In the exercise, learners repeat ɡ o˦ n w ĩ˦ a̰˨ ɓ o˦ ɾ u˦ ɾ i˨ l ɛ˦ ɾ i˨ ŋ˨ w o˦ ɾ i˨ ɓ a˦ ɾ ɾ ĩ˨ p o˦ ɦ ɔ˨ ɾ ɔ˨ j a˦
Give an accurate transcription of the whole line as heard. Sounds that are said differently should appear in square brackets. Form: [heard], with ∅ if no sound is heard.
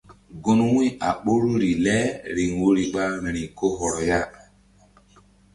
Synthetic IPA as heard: ɡ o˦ n w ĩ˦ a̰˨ ɓ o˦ ɾ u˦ ɾ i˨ l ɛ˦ ɾ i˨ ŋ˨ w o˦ ɾ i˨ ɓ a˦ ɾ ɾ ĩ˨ [k] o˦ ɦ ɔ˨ ɾ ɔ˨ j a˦